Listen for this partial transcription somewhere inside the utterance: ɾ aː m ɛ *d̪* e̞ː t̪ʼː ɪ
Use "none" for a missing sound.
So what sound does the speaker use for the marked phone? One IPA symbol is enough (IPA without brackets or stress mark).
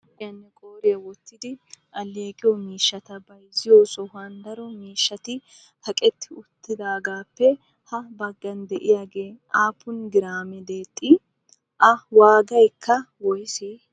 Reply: d̪